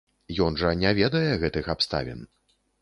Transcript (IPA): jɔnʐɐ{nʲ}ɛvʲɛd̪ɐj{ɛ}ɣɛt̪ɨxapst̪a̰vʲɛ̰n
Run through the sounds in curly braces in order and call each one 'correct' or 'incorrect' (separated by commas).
correct, correct